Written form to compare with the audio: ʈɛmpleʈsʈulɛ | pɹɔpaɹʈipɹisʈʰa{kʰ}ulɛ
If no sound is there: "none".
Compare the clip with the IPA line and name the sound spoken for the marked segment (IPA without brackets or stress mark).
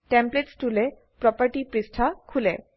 kʰ